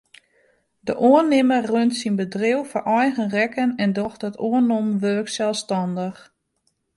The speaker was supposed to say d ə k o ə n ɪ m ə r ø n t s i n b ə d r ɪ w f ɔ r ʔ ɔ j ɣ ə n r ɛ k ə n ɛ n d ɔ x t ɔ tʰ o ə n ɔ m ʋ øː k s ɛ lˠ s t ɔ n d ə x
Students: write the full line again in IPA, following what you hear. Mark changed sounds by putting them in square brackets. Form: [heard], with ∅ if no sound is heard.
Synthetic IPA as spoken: d ə [ʔ] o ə n ɪ m ə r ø n t s i n b ə d r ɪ w f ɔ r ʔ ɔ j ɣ ə n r ɛ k ə n ɛ n d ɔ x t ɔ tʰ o ə n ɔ m ʋ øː k s ɛ lˠ s t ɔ n d ə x